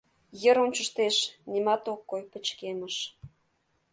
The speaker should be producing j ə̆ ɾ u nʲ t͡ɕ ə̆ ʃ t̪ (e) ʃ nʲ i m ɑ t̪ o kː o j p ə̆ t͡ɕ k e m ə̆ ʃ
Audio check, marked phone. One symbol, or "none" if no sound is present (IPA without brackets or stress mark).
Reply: e